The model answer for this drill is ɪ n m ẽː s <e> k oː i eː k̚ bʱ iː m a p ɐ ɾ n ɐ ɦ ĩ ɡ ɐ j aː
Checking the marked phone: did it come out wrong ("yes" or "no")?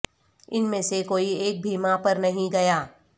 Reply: no